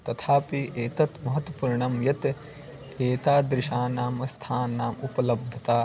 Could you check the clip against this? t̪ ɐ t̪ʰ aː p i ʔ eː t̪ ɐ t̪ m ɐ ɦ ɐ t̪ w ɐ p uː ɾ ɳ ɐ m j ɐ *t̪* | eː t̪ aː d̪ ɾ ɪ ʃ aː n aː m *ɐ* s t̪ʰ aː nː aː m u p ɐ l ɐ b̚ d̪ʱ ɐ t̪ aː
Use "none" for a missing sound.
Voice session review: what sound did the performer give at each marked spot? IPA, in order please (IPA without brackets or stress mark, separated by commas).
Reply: t̪, ɐ